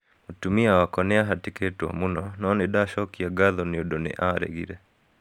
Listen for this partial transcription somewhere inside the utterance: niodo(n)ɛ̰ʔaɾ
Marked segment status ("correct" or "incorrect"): correct